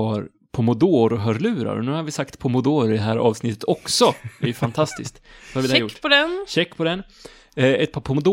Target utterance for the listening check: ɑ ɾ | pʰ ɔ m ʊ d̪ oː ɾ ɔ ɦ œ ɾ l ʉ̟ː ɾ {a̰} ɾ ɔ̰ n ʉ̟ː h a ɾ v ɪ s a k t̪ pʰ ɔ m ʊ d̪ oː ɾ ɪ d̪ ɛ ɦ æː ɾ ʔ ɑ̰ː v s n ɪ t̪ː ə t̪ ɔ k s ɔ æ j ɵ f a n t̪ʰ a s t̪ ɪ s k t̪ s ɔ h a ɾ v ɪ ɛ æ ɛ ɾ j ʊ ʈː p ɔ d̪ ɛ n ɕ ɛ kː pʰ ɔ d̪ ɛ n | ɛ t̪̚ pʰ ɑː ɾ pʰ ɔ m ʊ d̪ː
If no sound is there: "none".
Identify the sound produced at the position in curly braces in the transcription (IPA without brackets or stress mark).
a̰